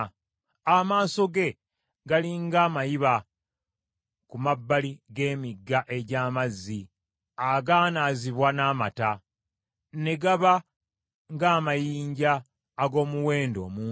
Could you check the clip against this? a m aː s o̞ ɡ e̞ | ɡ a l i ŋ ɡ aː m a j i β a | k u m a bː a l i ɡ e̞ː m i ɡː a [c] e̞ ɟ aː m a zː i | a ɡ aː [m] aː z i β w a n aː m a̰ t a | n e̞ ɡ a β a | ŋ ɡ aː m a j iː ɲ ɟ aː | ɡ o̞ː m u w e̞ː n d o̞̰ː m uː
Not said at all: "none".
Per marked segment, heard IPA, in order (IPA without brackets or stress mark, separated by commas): ʔ, n